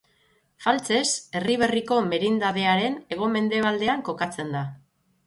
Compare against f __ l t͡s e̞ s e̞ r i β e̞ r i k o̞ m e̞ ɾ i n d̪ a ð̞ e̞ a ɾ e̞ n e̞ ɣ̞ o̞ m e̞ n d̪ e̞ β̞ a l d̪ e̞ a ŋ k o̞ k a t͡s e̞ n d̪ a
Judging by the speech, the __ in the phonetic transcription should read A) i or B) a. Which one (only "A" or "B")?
B